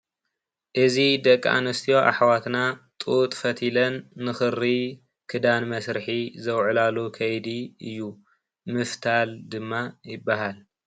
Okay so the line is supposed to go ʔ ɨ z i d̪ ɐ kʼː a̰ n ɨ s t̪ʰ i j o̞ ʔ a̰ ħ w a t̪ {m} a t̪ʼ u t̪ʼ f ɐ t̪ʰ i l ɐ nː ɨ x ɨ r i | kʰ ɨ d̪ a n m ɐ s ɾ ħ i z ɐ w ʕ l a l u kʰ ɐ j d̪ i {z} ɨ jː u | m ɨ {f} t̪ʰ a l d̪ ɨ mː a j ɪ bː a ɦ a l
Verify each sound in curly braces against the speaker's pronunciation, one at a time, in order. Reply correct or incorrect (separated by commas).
incorrect, incorrect, correct